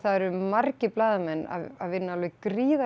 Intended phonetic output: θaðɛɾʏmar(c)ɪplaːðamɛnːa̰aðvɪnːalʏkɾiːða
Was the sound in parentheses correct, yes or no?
yes